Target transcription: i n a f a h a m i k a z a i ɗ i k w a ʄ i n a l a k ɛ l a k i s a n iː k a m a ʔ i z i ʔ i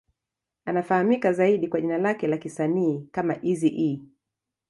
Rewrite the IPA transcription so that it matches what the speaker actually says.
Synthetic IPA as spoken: a n a f a h a m i k a z a i ɗ i k w a ʄ i n a l a k ɛ l a k i s a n iː k a m a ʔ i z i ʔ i

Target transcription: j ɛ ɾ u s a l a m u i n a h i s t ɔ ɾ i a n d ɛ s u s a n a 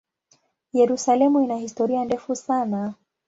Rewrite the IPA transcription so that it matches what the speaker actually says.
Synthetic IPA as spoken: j ɛ ɾ u s a l ɛ m u i n a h i s t ɔ ɾ i a n d ɛ f u s a n a

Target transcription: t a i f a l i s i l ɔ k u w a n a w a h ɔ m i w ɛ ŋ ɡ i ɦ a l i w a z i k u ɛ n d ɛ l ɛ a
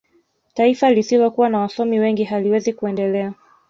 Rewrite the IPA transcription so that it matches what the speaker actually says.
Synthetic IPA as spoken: t a i f a l i s i l ɔ k u w a n a w a s ɔ m i w ɛ ŋ ɡ i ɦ a l i w ɛ z i k u ɛ n d ɛ l ɛ a

